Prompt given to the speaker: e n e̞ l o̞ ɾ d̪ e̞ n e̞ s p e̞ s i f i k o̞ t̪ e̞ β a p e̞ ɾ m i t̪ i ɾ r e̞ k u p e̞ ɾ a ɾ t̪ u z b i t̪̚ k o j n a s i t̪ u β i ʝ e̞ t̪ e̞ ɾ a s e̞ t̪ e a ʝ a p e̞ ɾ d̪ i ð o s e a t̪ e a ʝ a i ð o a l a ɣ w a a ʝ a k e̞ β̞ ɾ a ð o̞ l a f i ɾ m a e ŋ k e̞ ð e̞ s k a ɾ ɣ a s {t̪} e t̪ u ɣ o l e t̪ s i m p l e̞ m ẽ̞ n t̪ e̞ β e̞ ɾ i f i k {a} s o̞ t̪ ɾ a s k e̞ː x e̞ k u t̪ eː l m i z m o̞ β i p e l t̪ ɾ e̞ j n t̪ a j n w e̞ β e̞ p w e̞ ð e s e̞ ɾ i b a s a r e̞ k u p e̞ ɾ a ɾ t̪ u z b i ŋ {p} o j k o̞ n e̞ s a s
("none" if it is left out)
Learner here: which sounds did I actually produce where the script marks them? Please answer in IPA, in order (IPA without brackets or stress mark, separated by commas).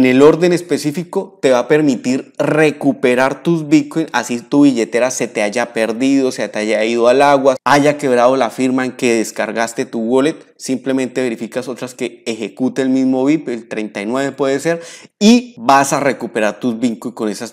t̪, a, k